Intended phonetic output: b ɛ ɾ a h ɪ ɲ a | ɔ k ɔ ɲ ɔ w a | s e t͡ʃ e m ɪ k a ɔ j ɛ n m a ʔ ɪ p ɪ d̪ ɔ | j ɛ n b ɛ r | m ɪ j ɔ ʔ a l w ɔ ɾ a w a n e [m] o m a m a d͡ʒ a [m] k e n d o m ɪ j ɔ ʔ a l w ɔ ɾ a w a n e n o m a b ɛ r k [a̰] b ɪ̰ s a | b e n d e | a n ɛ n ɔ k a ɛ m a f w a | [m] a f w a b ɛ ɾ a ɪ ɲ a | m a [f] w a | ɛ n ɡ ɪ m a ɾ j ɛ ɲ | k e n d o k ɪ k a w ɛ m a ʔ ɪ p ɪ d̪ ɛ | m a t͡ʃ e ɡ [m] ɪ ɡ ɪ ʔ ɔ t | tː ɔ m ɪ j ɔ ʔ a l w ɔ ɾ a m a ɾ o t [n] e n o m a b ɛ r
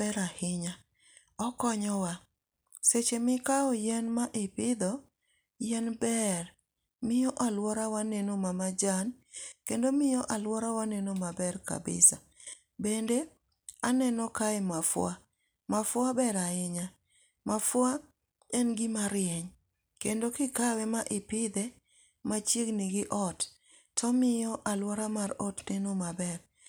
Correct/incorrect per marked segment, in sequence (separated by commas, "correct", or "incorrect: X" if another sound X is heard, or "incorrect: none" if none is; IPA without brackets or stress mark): incorrect: n, incorrect: n, correct, correct, correct, incorrect: n, correct